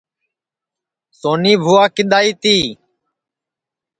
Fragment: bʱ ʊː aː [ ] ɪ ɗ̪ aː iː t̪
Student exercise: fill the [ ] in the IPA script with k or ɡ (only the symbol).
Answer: k